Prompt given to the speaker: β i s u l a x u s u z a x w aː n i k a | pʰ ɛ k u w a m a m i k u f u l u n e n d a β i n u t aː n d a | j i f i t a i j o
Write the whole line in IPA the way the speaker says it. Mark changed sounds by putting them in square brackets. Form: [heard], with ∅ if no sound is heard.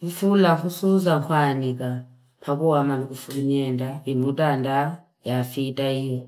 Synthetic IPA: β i [f] u l a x u s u z a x w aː n i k a | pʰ [a] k u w a m a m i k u f u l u [ɲ] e n d a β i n u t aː n d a | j [a] f i t a i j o